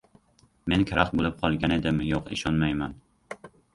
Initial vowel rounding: unrounded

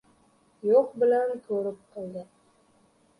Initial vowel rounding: rounded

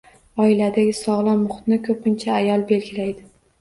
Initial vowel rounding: rounded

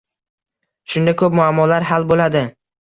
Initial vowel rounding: rounded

